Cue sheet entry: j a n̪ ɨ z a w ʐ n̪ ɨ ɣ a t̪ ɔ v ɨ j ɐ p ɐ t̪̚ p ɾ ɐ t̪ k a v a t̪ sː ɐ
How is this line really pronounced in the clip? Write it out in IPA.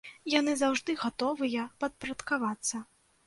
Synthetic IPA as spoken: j a n̪ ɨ z a w ʐ d̪ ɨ ɣ a t̪ ɔ v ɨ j ɐ p ɐ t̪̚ p ɾ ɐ t̪ k a v a t̪ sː ɐ